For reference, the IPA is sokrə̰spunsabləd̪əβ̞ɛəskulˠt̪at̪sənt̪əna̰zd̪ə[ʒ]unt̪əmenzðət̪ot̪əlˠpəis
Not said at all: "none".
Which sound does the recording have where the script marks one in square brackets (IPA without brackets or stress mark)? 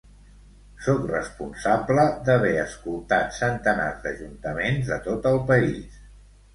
ʒ